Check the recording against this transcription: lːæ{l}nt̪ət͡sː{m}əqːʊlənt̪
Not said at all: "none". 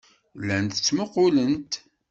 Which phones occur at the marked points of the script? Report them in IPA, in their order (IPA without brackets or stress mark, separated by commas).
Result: none, m